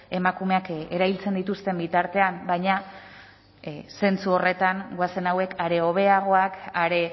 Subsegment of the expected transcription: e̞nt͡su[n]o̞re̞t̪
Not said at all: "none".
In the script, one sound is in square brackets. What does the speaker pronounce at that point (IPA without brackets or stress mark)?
none